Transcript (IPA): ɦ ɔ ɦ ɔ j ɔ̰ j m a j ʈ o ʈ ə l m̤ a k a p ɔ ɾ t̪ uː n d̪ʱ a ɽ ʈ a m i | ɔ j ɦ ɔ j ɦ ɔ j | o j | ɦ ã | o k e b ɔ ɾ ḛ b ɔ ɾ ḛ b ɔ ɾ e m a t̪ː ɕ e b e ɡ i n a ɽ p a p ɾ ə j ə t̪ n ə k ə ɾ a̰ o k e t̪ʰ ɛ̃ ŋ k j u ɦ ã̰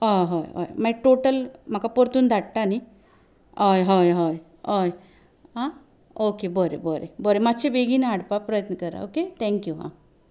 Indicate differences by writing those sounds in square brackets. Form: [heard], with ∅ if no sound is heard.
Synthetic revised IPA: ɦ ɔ ɦ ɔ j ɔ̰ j m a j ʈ o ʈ ə l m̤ a k a p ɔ ɾ t̪ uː n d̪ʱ a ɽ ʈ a [n] i | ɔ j ɦ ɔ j ɦ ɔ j | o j | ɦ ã | o k e b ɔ ɾ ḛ b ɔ ɾ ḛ b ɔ ɾ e m a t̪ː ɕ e b e ɡ i n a ɽ p a p ɾ ə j ə t̪ n ə k ə ɾ a̰ o k e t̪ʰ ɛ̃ ŋ k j u ɦ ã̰